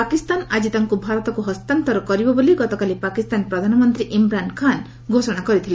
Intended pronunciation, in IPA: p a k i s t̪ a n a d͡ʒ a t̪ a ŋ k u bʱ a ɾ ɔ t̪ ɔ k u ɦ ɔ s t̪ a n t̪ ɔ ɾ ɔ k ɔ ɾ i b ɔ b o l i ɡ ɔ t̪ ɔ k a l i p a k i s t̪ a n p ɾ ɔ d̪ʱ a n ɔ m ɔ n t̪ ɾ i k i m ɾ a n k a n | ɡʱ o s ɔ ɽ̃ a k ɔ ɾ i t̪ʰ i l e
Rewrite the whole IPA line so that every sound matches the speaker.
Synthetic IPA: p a k i s t̪ a n a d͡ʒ i t̪ a ŋ k u bʱ a ɾ ɔ t̪ ɔ k u ɦ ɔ s t̪ a n t̪ ɔ ɾ ɔ k ɔ ɾ i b ɔ b o l i ɡ ɔ t̪ ɔ k a l i p a k i s t̪ a n p ɾ ɔ d̪ʱ a n ɔ m ɔ n t̪ ɾ i ʔ i m ɾ a n kʰ a n | ɡʱ o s ɔ ɽ̃ a k ɔ ɾ i t̪ʰ i l e